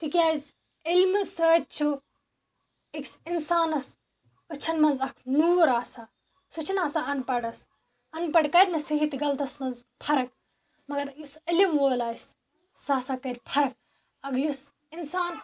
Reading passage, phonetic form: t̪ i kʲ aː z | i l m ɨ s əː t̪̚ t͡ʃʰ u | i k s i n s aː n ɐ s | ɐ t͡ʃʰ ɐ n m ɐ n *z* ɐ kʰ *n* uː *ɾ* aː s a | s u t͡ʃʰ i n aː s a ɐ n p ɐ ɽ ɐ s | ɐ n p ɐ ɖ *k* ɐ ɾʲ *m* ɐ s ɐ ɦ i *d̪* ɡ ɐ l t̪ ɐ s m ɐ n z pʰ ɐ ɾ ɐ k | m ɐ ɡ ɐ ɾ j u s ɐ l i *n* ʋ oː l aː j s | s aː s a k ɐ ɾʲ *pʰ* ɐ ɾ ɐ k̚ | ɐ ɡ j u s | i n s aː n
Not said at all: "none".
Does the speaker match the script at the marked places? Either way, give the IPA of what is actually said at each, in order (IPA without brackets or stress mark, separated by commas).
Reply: z, n, ɾ, k, m, t̪, m, pʰ